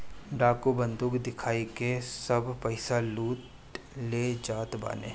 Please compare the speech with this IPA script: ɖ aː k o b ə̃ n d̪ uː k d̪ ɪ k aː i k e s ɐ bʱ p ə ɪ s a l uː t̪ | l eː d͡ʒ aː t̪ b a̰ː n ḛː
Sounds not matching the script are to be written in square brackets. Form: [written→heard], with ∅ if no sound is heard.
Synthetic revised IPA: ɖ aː k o b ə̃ n d̪ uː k d̪ ɪ [k→kʰ] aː i k e s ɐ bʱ p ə ɪ s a l uː t̪ | l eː d͡ʒ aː t̪ b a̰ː n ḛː